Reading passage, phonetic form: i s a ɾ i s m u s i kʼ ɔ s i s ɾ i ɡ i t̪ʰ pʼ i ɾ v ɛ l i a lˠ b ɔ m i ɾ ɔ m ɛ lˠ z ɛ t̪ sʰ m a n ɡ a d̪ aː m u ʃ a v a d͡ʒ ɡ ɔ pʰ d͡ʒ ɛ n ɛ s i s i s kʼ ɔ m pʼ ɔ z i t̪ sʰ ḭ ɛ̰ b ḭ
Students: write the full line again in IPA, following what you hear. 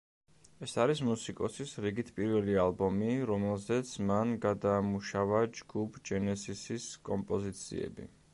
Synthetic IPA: ɛ s a ɾ i s m u s i kʼ ɔ s i s ɾ i ɡ i t̪ʰ pʼ i ɾ v ɛ l i a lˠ b ɔ m i ɾ ɔ m ɛ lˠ z ɛ t̪ sʰ m a n ɡ a d̪ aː m u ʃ a v a d͡ʒ ɡ u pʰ d͡ʒ ɛ n ɛ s i s i s kʼ ɔ m pʼ ɔ z i t̪ sʰ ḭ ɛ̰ b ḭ